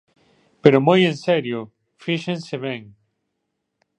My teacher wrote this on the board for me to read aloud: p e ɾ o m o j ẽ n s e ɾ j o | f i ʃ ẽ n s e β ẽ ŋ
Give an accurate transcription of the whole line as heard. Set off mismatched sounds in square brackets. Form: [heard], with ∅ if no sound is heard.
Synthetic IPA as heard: p e ɾ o m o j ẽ n s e ɾ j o | f i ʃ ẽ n s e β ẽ ŋ